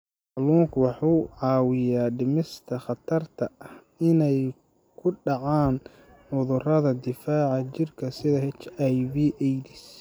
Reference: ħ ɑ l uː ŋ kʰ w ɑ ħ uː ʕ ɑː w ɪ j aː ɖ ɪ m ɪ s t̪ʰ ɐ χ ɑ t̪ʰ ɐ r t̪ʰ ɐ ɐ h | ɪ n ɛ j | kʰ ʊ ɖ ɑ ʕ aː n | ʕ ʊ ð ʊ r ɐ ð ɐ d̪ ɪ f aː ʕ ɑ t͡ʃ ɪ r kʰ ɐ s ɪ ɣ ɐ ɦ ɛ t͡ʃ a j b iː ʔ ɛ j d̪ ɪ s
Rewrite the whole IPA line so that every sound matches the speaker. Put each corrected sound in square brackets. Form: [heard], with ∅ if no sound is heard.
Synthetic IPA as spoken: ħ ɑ l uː ŋ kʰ w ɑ ħ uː ʕ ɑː w ɪ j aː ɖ ɪ m ɪ s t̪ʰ ɐ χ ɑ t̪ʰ ɐ r t̪ʰ ɐ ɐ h | ɪ n ɛ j | kʰ ʊ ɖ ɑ ʕ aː n | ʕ ʊ ð ʊ r ɐ ð ɐ d̪ ɪ f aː ʕ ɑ t͡ʃ ɪ r kʰ ɐ s ɪ [ð] ɐ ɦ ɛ t͡ʃ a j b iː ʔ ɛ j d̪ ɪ s